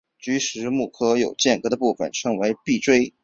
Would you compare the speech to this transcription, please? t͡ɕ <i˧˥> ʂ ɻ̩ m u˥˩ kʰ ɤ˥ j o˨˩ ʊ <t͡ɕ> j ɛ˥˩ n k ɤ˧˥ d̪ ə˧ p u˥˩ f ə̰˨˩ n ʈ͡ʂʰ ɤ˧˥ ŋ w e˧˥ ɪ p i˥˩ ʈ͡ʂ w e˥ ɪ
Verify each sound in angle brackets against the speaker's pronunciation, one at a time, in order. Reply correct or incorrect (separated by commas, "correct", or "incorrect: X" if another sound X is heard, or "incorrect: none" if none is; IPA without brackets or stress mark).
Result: incorrect: y˧˥, correct